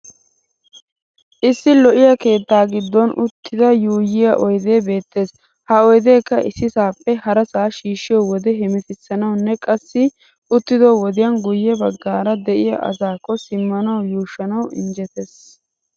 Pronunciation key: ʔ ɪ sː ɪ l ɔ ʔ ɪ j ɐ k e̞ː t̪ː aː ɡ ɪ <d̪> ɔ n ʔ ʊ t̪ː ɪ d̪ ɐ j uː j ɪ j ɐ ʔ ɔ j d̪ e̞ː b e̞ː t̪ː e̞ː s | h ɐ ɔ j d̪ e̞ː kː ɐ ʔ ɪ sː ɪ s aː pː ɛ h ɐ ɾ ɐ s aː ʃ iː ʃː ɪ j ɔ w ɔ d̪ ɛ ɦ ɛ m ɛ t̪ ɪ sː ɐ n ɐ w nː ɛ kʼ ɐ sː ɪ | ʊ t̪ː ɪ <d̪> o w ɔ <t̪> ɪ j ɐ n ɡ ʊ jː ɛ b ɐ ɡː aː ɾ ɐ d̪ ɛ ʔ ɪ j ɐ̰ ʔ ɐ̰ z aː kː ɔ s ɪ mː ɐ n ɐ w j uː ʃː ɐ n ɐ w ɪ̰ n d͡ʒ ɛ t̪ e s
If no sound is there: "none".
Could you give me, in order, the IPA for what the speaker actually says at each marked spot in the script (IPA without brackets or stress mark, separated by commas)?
d̪ː, d̪, d̪